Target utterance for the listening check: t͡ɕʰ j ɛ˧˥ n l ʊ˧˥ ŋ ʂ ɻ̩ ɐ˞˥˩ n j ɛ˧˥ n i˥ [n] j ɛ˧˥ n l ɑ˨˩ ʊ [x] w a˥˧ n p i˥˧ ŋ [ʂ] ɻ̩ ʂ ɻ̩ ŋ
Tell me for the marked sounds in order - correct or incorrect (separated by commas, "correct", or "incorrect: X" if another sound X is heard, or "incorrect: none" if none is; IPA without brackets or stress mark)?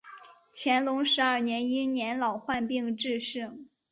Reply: correct, correct, incorrect: ʈ͡ʂ